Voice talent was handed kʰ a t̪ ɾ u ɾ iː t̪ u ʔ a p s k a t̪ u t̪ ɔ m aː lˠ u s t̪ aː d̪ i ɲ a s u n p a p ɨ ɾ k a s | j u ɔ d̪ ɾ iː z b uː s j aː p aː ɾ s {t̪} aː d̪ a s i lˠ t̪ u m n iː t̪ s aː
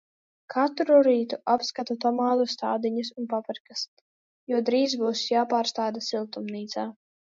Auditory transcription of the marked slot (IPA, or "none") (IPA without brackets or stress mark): t̪